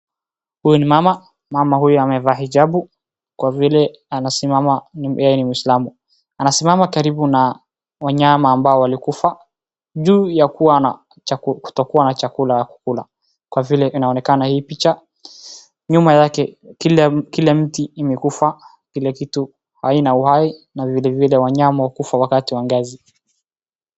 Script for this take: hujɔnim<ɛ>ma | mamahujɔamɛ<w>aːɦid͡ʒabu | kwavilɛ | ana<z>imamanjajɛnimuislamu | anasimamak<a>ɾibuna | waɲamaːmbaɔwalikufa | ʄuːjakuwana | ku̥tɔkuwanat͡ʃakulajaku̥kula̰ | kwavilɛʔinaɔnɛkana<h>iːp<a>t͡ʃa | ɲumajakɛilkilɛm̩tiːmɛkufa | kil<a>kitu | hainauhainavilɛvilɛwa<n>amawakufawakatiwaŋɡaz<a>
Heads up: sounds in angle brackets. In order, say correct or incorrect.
incorrect: a, incorrect: v, incorrect: s, correct, correct, incorrect: i, incorrect: ɛ, incorrect: ɲ, incorrect: i

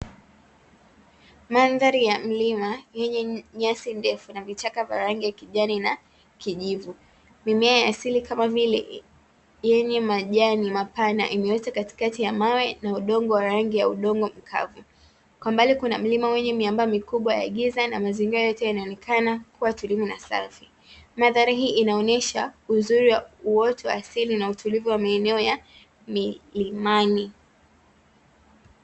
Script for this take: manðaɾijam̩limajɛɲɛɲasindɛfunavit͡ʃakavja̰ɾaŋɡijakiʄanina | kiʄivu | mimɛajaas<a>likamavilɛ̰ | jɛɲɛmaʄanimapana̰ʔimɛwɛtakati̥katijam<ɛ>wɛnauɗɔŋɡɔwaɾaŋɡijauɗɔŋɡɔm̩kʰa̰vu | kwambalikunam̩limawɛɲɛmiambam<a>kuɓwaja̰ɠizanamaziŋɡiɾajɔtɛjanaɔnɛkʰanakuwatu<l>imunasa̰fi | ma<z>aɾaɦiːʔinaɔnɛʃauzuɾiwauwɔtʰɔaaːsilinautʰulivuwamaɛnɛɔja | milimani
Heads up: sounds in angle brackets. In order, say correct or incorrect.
incorrect: i, incorrect: a, incorrect: i, correct, incorrect: ð

